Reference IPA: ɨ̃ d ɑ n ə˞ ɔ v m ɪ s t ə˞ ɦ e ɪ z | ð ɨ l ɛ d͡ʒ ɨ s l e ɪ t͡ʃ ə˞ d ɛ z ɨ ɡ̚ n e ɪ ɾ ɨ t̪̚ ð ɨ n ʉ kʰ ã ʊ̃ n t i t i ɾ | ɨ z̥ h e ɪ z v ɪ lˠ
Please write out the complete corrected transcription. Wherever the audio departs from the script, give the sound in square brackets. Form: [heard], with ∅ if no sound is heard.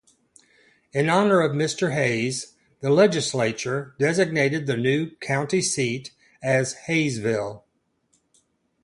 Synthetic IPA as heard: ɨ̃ [n] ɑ n ə˞ [ʌ] v m ɪ s t ə˞ ɦ e ɪ z | ð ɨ l ɛ d͡ʒ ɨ s l e ɪ t͡ʃ ə˞ d ɛ z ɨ ɡ̚ n e ɪ ɾ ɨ [d̪̚] ð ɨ n ʉ kʰ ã ʊ̃ n t i [s] i ɾ | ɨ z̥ h e ɪ z v ɪ lˠ